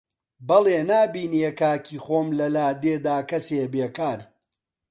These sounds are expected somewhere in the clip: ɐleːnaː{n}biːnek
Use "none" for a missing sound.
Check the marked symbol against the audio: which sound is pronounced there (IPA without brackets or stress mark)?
none